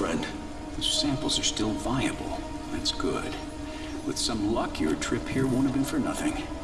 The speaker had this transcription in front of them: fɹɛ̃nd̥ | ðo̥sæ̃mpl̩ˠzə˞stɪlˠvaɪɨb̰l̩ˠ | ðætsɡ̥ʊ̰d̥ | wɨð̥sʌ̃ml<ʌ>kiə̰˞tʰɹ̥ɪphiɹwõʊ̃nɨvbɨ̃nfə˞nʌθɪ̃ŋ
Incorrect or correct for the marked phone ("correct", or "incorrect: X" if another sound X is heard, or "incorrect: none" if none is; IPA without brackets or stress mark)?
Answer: correct